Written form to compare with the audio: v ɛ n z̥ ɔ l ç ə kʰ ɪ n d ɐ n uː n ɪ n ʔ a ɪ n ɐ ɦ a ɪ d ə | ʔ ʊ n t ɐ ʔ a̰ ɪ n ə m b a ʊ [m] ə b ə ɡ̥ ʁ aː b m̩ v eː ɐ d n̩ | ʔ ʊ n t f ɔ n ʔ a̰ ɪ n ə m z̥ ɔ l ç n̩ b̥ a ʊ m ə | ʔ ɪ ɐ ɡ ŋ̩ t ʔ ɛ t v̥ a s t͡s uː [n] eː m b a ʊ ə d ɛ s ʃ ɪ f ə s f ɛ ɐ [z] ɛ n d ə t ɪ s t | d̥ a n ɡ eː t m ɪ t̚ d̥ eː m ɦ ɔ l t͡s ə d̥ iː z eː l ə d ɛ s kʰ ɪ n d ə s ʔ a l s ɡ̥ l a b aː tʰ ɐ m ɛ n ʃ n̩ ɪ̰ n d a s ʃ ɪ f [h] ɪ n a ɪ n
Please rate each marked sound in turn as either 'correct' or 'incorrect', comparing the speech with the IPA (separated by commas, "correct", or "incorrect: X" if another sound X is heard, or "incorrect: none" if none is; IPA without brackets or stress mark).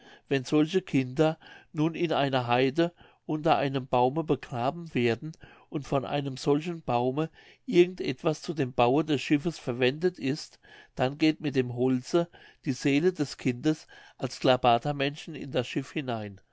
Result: correct, incorrect: d, incorrect: v, correct